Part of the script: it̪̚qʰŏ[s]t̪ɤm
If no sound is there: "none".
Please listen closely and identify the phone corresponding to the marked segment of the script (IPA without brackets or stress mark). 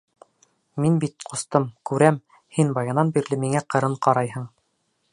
s